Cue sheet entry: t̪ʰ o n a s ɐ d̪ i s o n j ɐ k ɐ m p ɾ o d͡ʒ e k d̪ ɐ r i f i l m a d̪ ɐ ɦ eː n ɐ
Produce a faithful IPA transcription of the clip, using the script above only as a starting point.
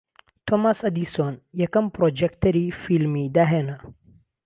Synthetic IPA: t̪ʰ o m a s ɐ d̪ i s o n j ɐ k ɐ m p ɾ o d͡ʒ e k t̪ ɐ ɾ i f i l m i d̪ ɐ ɦ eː n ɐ